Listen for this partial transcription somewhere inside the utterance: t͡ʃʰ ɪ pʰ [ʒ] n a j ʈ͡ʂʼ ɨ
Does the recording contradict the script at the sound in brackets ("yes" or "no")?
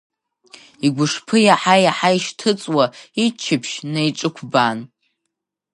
yes